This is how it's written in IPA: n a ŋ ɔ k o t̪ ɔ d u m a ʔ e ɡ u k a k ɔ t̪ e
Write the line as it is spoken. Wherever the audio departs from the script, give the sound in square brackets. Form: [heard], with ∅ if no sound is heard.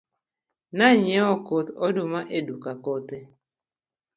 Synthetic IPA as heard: n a [ɲ] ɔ k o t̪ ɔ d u m a ʔ e [d] u k a k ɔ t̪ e